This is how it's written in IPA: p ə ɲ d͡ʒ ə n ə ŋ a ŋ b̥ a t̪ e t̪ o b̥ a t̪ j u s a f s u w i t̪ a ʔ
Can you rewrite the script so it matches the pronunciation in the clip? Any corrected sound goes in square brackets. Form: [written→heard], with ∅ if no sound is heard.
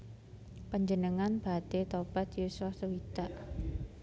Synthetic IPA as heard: p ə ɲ d͡ʒ ə n ə ŋ a [ŋ→n] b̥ a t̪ e t̪ o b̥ a t̪ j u s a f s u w i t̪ a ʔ